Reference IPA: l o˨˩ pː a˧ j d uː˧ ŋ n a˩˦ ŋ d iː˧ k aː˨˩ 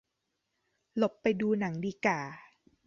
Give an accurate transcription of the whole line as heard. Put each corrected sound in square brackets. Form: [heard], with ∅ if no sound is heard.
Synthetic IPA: l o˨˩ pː a˧ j d uː˧ [∅] n a˩˦ ŋ d iː˧ k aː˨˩